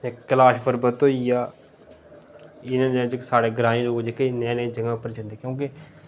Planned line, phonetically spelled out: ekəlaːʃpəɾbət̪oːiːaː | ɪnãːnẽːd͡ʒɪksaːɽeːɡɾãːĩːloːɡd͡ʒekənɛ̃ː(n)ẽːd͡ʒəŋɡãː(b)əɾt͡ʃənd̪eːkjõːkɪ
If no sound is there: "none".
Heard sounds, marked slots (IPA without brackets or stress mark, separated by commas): n, p